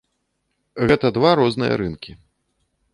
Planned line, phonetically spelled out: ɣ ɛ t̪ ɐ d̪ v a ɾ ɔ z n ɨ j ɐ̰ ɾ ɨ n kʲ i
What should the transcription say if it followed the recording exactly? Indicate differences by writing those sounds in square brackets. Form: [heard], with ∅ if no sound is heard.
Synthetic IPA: ɣ ɛ t̪ ɐ d̪ v a ɾ ɔ z n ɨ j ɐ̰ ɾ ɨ n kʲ i